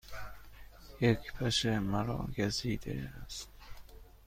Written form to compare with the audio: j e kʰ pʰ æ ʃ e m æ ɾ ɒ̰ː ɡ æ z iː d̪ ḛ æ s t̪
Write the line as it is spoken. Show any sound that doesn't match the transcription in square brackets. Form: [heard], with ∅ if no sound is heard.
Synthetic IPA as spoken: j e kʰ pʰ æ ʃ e m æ ɾ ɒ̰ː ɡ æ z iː d̪ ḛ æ s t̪